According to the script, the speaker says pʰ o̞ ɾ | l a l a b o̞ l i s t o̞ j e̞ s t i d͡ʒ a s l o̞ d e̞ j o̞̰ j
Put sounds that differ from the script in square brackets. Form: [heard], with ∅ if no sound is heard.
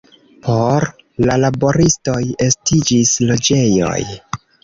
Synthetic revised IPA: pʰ o̞ ɾ | l a l a b o̞ [ɾ] i s t o̞ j e̞ s t i d͡ʒ [i] s l o̞ [d͡ʒ] e̞ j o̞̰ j